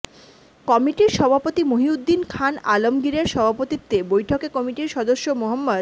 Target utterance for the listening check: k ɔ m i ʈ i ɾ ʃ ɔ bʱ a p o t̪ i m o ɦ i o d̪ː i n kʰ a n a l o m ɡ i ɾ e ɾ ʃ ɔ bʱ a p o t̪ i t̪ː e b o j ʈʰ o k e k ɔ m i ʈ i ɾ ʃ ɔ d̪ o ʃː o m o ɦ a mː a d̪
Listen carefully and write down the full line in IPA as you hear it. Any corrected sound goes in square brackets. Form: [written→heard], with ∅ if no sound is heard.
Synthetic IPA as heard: k ɔ m i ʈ i ɾ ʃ ɔ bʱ a p o t̪ i m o ɦ i [o→u] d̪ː i n kʰ a n a l o m ɡ i ɾ e ɾ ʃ ɔ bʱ a p o t̪ i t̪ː e b o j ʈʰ o k e k ɔ m i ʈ i ɾ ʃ ɔ d̪ o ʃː o m o ɦ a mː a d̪